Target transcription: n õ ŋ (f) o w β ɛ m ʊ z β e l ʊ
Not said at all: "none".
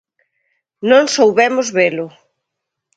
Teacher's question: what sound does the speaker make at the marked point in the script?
s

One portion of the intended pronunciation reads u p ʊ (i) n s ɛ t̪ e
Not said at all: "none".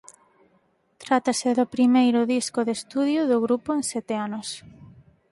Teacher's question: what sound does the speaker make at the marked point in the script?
e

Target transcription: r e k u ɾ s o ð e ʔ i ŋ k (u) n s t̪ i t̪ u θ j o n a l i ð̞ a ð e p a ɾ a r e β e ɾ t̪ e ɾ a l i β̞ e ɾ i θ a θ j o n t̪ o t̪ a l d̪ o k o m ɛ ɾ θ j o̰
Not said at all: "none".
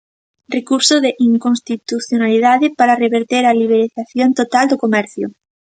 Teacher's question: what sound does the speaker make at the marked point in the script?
o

